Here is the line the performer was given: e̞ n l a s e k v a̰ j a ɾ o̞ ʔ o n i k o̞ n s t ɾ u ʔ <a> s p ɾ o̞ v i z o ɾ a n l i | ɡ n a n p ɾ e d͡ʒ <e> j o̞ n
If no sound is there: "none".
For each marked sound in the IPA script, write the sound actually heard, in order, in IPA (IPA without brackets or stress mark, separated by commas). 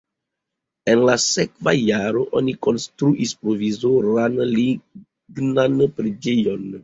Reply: i, e